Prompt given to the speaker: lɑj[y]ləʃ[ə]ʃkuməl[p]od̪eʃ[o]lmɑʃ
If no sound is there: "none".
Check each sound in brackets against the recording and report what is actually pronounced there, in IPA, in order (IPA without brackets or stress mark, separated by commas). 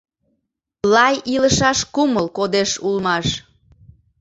i, ɑ, k, u